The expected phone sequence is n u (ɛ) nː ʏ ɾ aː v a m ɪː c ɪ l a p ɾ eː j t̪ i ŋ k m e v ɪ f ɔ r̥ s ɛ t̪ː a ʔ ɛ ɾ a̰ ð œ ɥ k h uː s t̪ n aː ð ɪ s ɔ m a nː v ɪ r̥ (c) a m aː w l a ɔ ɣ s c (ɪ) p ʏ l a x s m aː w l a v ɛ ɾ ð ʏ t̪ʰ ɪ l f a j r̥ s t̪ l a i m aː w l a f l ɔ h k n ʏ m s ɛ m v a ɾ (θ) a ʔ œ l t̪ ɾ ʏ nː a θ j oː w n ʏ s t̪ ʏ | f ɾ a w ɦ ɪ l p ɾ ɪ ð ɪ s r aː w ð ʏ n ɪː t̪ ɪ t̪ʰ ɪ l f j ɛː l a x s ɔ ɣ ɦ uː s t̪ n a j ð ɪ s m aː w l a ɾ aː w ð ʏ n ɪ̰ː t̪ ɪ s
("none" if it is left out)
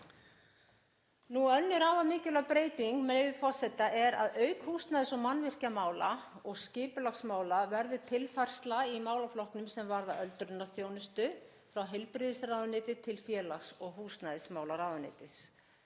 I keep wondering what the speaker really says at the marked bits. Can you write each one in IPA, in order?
œ, c, ɪː, ð

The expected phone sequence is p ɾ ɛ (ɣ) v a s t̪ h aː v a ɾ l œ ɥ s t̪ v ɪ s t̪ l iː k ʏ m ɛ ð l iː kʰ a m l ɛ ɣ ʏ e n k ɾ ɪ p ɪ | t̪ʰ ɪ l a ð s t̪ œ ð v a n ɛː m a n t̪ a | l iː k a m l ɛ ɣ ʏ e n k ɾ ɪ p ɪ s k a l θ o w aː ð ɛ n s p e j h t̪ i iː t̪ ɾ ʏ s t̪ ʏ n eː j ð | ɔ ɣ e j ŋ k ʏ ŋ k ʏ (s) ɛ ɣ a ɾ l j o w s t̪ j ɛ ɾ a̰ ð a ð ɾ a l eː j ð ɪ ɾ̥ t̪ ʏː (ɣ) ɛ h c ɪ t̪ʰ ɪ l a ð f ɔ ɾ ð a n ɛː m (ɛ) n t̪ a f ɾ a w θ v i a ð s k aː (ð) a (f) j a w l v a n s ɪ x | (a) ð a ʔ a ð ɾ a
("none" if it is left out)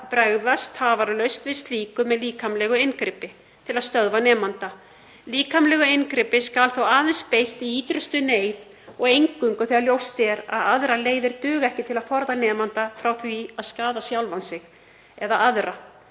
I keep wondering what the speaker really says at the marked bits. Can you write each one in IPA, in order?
ɣ, θ, ɣ, a, ð, s, ɛ

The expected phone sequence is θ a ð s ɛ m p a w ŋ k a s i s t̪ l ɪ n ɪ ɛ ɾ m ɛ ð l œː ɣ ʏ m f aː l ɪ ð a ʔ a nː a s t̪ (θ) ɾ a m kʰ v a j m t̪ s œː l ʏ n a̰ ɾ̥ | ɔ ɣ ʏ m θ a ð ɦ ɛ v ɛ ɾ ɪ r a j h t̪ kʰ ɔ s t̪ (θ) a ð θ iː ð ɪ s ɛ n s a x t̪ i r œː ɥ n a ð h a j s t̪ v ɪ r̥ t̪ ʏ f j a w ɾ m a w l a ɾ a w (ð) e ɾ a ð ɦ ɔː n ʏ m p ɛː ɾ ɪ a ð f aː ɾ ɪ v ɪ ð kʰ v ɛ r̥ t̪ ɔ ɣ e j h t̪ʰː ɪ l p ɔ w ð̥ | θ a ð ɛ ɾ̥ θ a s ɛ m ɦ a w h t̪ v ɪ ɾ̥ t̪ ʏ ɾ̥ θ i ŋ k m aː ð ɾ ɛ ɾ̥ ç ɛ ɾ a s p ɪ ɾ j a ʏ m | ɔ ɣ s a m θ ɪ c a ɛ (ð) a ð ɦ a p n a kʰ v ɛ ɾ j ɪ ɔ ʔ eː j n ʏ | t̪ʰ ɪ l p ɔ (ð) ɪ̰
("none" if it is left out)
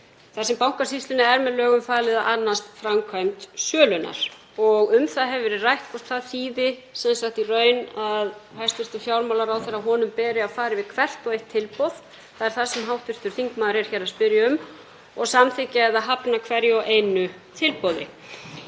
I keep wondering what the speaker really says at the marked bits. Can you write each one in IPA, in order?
f, θ, θ, ð, ð

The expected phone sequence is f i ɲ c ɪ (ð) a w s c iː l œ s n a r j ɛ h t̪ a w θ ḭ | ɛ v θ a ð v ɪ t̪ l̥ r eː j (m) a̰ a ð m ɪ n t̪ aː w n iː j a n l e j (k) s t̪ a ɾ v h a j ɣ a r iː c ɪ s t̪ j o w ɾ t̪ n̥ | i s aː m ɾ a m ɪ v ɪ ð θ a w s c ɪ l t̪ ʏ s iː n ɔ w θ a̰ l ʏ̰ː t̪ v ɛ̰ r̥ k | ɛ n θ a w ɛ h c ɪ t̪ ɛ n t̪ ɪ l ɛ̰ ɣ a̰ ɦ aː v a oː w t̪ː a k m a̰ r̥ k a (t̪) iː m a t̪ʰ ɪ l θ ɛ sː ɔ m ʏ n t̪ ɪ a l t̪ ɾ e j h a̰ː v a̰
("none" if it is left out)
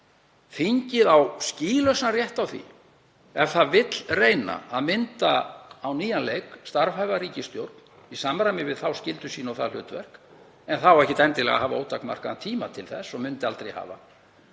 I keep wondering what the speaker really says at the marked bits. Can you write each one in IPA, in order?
ð, n, k, t̪ʰ

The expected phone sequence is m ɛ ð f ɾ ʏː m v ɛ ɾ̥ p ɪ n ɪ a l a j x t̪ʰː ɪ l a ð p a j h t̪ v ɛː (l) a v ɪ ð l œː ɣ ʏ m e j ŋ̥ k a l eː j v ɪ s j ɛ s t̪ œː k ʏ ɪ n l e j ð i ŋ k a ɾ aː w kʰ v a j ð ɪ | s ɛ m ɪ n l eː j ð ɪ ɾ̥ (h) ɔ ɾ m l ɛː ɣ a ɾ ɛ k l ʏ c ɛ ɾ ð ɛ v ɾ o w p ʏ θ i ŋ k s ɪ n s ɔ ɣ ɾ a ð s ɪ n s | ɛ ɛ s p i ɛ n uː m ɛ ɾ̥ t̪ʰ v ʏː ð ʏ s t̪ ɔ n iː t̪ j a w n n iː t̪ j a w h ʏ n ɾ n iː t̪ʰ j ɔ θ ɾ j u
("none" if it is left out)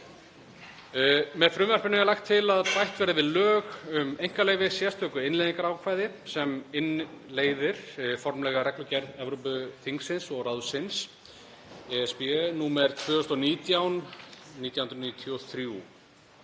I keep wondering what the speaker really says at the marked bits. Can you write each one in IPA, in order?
ɾ, f

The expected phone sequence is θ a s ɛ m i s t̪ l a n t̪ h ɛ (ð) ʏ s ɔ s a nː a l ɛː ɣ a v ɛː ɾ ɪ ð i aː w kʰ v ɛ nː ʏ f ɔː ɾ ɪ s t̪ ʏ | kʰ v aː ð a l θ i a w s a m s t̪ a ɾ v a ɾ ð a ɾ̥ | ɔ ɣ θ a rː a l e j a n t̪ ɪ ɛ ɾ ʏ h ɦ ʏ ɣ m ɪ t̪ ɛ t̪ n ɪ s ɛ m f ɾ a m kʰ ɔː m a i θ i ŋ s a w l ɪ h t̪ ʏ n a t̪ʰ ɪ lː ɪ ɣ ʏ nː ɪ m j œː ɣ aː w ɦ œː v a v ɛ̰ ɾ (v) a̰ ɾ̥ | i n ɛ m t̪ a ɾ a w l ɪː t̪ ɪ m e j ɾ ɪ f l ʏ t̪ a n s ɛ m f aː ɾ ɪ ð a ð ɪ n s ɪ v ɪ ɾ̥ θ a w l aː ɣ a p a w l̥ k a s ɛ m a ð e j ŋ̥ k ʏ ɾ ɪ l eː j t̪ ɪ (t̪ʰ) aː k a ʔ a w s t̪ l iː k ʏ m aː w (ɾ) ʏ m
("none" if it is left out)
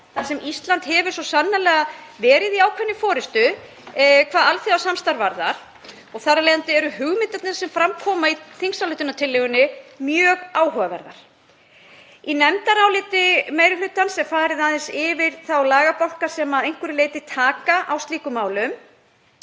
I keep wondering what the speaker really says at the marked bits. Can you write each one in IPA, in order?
v, ð, t̪ʰ, l

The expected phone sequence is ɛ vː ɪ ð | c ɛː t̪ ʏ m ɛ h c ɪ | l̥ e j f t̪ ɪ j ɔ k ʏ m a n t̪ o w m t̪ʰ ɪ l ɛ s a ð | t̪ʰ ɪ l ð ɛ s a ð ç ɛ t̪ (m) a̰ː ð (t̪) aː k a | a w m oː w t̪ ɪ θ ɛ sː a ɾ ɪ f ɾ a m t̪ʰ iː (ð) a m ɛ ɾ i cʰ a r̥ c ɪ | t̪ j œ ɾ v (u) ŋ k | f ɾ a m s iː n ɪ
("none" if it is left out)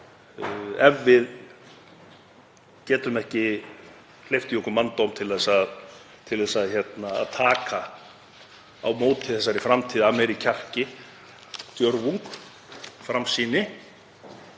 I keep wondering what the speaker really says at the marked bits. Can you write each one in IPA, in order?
n, t̪ʰ, ð, u

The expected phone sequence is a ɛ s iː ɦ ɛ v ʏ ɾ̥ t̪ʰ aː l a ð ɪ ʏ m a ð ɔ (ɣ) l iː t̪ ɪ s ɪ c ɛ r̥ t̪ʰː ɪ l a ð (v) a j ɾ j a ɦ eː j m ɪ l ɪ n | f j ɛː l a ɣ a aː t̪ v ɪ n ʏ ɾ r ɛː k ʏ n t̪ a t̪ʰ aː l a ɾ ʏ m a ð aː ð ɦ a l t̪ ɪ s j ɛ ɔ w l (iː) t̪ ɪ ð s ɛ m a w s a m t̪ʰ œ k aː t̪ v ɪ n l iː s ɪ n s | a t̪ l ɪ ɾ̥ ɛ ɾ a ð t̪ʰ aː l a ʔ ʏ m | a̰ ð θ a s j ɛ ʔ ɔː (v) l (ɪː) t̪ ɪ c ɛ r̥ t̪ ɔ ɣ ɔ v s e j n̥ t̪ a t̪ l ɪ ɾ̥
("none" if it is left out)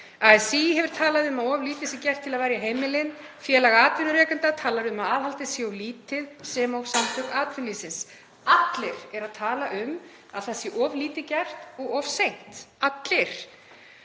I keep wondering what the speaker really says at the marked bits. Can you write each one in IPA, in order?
v, v, iː, v, iː

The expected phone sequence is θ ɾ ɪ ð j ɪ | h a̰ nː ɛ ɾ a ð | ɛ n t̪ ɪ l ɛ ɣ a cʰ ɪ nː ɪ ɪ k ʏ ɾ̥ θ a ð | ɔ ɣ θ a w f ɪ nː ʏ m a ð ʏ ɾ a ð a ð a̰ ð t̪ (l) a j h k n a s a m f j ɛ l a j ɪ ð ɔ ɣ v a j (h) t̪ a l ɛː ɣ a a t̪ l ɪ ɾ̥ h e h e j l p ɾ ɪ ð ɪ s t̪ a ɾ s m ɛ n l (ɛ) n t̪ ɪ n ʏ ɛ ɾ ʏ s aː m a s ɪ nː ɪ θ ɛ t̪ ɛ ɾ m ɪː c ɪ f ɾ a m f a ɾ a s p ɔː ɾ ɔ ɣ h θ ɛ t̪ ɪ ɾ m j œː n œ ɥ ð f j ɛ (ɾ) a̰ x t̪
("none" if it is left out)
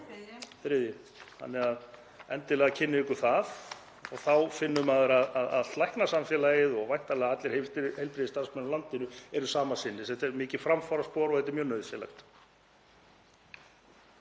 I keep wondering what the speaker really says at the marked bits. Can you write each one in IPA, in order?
l, h, a, l

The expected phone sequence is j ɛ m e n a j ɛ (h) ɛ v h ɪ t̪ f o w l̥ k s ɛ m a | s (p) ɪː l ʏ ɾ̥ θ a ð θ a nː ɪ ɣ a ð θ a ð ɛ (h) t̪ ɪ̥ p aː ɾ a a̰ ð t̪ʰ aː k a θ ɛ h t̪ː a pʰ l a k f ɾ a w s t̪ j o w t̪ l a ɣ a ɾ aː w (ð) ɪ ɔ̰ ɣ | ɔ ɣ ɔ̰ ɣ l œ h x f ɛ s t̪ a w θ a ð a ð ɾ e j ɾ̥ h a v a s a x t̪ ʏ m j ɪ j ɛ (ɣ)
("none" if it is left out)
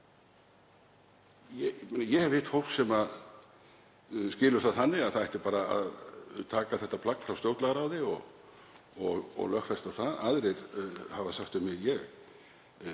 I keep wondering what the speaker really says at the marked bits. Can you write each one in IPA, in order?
h, c, h, ð, ɣ

